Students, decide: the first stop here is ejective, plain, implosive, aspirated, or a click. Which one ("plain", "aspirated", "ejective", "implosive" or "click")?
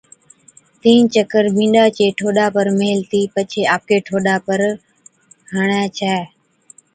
plain